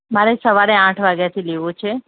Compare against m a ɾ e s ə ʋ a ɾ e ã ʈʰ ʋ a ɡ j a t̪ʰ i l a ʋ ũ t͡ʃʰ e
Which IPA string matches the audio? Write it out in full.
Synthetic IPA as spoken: m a ɾ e s ə ʋ a ɾ e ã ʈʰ ʋ a ɡ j a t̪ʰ i l e ʋ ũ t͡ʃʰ e